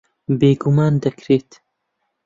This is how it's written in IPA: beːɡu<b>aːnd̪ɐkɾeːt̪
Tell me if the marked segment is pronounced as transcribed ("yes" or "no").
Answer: no